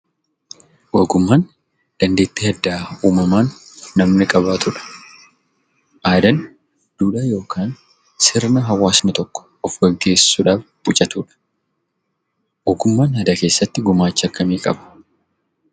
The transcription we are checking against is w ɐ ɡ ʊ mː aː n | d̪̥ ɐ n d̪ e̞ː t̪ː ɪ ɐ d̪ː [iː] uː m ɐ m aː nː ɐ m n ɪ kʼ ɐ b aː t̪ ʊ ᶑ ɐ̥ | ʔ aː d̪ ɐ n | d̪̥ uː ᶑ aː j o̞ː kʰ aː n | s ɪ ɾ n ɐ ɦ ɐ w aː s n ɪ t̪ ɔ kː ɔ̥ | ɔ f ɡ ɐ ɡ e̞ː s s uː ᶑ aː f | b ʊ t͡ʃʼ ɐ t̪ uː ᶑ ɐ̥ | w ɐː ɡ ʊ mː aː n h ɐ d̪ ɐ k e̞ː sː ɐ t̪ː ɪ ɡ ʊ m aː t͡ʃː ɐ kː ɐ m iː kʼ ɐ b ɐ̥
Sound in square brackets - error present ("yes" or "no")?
yes